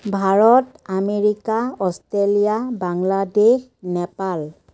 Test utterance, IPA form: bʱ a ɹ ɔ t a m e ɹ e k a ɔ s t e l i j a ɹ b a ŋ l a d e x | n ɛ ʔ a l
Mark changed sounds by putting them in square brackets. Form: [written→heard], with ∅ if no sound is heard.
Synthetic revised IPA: bʱ a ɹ ɔ t a m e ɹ [e→i] k a ɔ s t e l i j a [ɹ→∅] b a ŋ l a d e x | n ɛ [ʔ→p] a l